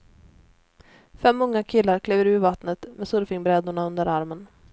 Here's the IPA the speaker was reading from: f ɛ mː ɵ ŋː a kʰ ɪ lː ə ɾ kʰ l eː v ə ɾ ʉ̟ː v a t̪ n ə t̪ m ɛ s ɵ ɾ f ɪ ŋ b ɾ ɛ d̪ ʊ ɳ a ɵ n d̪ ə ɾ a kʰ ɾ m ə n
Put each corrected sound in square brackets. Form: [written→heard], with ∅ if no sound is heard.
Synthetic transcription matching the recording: f ɛ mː ɵ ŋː a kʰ ɪ lː [ə→a] ɾ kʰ l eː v ə ɾ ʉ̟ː v a t̪ n ə t̪ m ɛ s ɵ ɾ f ɪ ŋ b ɾ ɛ d̪ ʊ ɳ a ɵ n d̪ ə ɾ a [kʰ→∅] ɾ m ə n